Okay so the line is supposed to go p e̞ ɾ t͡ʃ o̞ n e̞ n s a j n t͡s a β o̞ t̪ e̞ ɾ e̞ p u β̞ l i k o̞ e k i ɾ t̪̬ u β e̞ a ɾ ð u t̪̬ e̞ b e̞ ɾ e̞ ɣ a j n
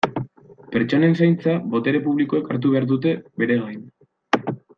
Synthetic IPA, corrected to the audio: p e̞ ɾ t͡ʃ o̞ n e̞ n s a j n t͡s a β o̞ t̪ e̞ ɾ e̞ p u β̞ l i k o̞ e k a ɾ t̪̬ u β e̞ a ɾ ð u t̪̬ e̞ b e̞ ɾ e̞ ɣ a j n